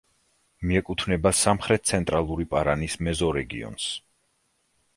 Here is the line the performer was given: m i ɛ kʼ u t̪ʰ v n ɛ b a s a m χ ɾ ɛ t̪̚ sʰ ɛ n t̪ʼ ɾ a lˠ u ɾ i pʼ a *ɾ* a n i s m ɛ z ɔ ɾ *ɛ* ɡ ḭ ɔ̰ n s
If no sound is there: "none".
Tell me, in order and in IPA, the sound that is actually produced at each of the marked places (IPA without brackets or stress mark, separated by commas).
ɾ, ɛ